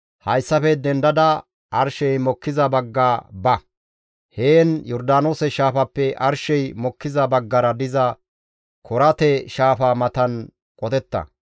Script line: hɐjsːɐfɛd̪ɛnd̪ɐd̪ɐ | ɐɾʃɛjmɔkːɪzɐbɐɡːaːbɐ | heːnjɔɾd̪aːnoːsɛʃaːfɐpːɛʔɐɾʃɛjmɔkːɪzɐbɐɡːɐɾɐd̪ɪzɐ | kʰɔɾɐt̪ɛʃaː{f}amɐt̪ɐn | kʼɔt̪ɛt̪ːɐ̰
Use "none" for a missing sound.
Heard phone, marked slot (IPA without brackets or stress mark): f